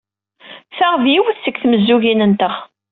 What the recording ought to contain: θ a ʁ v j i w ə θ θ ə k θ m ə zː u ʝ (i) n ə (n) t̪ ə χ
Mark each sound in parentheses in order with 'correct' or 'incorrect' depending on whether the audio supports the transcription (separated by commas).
correct, correct